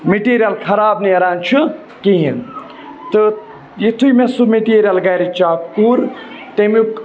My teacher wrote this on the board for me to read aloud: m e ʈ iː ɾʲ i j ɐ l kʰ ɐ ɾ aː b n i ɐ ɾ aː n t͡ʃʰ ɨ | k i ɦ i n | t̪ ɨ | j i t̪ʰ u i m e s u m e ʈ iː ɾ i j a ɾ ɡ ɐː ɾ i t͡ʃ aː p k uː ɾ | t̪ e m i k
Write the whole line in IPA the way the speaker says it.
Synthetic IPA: m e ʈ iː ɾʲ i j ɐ l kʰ ɐ ɾ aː b n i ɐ ɾ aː n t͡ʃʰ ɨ | k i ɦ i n | t̪ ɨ | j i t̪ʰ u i m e s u m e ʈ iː ɾ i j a l ɡ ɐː ɾ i t͡ʃ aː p k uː ɾ | t̪ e m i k